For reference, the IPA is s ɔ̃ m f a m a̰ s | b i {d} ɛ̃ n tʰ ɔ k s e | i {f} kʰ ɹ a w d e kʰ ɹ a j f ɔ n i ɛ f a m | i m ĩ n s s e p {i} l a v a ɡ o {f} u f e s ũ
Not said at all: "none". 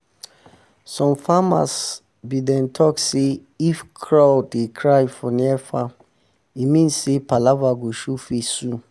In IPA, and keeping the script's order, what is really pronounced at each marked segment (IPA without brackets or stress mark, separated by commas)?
d, f, a, ʃ